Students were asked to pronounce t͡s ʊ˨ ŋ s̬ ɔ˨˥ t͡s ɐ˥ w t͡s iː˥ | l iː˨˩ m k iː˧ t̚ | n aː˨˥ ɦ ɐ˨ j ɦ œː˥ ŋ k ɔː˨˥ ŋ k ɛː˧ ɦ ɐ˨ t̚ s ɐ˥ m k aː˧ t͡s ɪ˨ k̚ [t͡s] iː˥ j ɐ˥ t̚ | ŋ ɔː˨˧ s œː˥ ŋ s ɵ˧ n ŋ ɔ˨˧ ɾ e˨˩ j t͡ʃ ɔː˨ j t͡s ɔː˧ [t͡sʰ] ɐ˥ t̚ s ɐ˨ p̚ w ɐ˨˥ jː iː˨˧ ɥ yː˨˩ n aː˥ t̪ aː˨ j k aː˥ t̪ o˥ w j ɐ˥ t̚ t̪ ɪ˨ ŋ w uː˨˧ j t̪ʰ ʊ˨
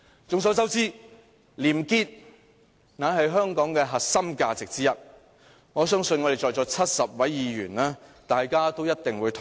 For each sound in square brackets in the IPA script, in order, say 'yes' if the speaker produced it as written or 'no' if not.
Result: yes, yes

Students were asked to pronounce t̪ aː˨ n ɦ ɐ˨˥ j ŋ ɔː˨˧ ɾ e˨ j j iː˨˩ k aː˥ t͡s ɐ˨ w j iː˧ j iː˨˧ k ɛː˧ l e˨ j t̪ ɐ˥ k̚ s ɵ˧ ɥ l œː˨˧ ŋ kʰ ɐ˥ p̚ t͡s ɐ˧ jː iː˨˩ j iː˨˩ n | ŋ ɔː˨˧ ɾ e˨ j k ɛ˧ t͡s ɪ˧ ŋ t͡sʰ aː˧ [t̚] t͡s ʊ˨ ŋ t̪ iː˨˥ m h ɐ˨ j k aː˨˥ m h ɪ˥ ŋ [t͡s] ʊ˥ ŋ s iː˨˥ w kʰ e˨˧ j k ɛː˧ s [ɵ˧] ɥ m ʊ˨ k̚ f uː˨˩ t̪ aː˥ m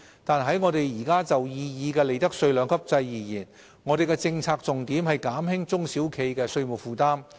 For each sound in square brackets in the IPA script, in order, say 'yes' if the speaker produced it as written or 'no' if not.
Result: no, yes, yes

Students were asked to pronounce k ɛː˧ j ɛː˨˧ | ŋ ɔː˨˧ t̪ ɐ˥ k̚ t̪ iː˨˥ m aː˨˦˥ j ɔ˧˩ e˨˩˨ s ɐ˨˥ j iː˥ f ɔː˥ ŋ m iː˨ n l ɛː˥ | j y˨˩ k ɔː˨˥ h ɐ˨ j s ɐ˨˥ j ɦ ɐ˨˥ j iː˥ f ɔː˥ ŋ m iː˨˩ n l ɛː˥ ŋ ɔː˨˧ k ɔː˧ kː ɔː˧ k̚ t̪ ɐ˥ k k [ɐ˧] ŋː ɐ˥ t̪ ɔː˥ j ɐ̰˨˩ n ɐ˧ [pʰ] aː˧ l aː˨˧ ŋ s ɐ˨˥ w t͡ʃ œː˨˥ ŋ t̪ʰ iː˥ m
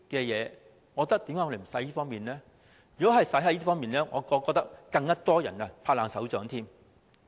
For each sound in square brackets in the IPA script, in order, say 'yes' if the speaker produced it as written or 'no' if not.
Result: yes, yes

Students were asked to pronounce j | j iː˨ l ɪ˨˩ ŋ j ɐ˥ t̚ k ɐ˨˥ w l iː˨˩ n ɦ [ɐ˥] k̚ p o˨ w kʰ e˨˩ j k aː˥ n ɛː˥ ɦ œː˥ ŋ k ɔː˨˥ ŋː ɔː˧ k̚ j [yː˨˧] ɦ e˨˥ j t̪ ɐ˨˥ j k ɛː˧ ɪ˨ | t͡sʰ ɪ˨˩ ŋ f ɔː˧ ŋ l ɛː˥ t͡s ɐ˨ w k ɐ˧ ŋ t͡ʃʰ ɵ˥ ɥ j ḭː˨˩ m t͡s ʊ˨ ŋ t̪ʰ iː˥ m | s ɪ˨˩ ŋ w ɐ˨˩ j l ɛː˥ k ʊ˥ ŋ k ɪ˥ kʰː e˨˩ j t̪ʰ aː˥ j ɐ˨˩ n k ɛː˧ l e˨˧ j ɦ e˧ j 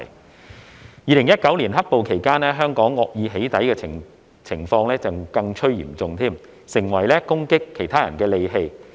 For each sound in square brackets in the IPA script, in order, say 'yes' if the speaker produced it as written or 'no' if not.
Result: yes, no

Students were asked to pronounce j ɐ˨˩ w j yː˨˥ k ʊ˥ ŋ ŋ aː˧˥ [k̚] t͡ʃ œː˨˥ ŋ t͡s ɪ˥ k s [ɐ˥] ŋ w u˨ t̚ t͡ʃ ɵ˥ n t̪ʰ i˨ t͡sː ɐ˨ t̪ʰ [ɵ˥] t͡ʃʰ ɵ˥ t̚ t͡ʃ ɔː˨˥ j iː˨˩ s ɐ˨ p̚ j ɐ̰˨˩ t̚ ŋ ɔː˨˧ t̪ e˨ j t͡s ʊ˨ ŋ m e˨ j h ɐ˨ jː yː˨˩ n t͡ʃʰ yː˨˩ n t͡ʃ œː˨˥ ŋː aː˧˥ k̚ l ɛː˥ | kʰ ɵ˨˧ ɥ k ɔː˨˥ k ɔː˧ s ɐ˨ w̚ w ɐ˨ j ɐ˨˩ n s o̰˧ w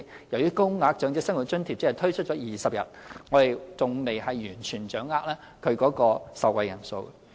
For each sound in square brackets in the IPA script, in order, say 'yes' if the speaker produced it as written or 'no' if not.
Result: yes, yes, yes

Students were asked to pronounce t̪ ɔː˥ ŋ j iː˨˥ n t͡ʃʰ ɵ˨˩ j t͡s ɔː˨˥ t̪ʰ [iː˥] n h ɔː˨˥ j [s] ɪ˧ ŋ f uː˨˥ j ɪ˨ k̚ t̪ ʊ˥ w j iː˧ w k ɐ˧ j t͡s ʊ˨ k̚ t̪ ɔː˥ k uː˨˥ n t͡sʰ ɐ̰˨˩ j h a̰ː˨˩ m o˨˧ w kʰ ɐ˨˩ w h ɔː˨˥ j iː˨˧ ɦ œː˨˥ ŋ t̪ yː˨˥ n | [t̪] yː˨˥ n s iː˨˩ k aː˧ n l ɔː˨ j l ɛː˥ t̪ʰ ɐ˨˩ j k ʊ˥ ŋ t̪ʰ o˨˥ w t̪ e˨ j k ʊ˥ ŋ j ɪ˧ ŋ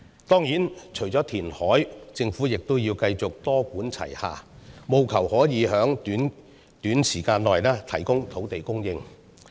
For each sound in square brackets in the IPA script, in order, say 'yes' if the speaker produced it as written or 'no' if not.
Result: no, no, yes

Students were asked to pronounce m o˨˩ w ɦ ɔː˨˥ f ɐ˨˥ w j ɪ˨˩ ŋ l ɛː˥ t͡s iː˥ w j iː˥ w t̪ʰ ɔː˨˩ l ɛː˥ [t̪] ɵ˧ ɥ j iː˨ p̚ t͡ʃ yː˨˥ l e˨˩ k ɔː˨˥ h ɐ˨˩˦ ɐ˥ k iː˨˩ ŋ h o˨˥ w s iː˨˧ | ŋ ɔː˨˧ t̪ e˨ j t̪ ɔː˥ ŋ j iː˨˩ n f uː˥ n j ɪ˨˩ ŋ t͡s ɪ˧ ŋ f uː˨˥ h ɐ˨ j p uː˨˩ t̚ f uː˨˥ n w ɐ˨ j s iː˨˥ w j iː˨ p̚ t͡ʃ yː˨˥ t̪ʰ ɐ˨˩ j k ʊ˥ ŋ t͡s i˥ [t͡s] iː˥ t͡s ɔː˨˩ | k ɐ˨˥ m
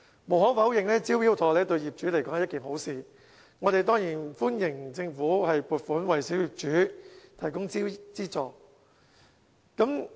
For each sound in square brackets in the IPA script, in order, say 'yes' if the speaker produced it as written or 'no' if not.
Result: yes, yes

